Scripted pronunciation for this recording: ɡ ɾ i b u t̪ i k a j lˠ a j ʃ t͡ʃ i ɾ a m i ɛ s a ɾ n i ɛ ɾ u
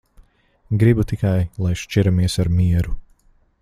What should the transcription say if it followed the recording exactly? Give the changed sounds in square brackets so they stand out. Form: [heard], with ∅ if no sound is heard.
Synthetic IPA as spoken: ɡ ɾ i b u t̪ i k a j lˠ a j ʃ t͡ʃ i ɾ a m i ɛ s a ɾ [m] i ɛ ɾ u